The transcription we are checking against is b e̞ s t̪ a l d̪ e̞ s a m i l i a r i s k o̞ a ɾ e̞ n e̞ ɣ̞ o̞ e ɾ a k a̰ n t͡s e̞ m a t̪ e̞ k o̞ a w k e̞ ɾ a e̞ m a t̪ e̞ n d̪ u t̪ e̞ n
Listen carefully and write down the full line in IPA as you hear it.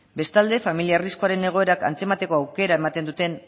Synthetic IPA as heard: b e̞ s t̪ a l d̪ e̞ f a m i l i a r i s k o̞ a ɾ e̞ n e̞ ɣ̞ o̞ e ɾ a k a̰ n t͡s e̞ m a t̪ e̞ k o̞ a w k e̞ ɾ a e̞ m a t̪ e̞ n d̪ u t̪ e̞ n